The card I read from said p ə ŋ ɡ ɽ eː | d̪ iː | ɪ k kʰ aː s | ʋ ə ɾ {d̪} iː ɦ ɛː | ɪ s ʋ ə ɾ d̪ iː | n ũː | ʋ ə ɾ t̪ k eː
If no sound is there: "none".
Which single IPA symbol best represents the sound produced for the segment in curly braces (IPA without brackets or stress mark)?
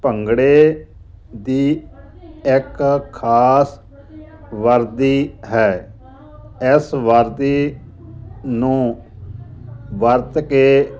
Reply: d̪